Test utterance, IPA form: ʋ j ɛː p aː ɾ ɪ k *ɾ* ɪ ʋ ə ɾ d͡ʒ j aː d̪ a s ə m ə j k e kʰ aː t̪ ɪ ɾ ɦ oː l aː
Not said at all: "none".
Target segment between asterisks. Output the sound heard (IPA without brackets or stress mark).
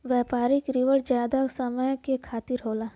ɾ